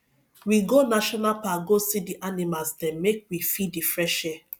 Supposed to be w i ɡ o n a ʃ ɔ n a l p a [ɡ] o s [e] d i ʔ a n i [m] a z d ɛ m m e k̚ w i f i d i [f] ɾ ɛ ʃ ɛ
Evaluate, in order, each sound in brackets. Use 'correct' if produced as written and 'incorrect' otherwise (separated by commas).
correct, incorrect, correct, correct